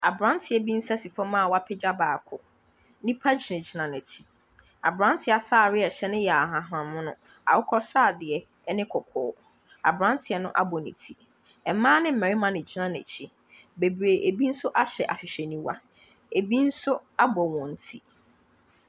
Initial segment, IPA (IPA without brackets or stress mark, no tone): a